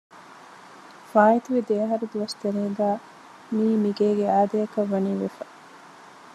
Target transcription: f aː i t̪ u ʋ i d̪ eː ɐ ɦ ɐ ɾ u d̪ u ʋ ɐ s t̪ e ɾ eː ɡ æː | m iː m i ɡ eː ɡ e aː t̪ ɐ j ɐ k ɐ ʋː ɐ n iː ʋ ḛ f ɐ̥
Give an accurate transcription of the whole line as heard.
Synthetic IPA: f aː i t̪ u ʋ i d̪ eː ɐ ɦ ɐ ɾ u d̪ u ʋ ɐ s t̪ e ɾ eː ɡ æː | m iː m i ɡ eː ɡ e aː d̪ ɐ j ɐ k ɐ ʋː ɐ n iː ʋ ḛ f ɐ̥